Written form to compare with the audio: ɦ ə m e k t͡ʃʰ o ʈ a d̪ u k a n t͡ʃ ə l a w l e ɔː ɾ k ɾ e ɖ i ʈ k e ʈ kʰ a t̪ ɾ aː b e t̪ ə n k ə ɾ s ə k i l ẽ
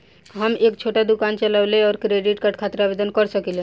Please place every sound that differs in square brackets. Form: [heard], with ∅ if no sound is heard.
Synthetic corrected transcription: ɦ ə m e k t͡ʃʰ o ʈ a d̪ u k a n t͡ʃ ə l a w l e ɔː ɾ k ɾ e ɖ i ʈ k [a] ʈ kʰ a t̪ ɾ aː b e [d̪] ə n k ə ɾ s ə k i l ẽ